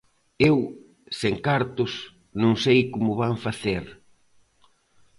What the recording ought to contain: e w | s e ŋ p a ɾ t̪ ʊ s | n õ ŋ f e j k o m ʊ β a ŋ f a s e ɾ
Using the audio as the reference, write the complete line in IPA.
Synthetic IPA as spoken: e w | s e ŋ k a ɾ t̪ ʊ s | n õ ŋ s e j k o m ʊ β a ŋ f a θ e ɾ